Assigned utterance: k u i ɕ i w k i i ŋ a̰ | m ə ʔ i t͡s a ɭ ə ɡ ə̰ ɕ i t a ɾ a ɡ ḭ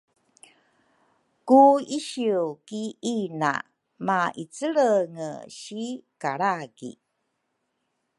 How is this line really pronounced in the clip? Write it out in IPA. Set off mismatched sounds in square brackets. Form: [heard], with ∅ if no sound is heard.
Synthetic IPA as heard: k u i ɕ i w k i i [n] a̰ | m [a] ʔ i t͡s [ə] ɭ ə [ŋ] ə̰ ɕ i [k] a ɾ a ɡ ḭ